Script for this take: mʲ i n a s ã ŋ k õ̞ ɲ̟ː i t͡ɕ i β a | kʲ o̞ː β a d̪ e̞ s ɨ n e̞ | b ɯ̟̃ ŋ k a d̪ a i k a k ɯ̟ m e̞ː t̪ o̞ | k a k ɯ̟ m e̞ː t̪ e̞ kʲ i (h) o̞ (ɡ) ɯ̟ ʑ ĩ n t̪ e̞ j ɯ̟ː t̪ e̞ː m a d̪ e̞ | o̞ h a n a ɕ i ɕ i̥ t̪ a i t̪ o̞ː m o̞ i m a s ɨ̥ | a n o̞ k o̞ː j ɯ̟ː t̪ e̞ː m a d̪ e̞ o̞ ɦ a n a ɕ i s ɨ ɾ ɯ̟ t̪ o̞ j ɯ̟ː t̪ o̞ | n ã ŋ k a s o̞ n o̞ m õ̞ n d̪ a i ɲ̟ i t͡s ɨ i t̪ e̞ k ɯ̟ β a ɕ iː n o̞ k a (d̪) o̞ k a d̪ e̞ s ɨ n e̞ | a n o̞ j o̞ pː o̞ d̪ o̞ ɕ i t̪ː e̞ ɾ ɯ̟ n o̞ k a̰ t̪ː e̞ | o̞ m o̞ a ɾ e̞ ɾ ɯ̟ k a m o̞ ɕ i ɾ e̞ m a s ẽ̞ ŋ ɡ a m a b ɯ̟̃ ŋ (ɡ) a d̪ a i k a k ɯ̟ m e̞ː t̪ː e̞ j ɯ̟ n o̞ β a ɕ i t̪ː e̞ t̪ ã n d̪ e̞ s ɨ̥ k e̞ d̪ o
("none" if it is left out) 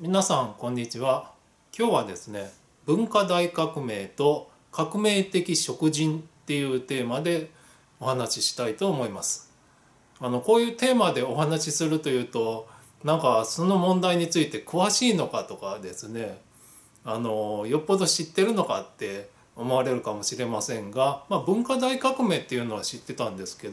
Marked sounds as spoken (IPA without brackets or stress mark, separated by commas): ɕ, k, t̪, k